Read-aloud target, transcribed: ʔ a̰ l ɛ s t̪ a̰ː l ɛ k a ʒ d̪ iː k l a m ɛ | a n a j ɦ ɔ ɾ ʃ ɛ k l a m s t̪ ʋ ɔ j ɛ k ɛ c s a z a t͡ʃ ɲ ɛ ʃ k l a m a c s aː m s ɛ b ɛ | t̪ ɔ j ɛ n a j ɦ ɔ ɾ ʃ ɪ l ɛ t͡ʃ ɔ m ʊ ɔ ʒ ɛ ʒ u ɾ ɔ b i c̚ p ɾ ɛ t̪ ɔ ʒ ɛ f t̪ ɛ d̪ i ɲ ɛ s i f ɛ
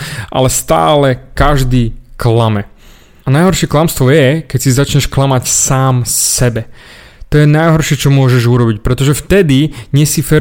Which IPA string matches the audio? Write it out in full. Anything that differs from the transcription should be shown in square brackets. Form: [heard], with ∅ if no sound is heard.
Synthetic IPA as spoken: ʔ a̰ l ɛ s t̪ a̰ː l ɛ k a ʒ d̪ iː k l a m ɛ | a n a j ɦ ɔ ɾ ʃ ɛ k l a m s t̪ ʋ ɔ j ɛ k ɛ c s [i] z a t͡ʃ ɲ ɛ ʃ k l a m a c s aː m s ɛ b ɛ | t̪ ɔ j ɛ n a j ɦ ɔ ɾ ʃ ɪ [∅] ɛ t͡ʃ ɔ m ʊ ɔ ʒ ɛ ʒ u ɾ ɔ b i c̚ p ɾ ɛ t̪ ɔ ʒ ɛ f t̪ ɛ d̪ i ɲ ɛ s i f ɛ